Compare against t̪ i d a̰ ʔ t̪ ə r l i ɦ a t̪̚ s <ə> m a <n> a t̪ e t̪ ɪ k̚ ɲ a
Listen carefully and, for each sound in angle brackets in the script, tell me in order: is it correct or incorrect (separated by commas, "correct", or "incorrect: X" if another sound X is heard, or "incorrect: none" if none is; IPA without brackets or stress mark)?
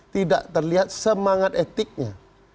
correct, incorrect: ŋ